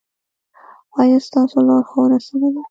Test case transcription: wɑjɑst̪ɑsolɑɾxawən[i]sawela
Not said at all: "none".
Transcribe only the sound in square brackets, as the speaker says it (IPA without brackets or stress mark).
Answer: a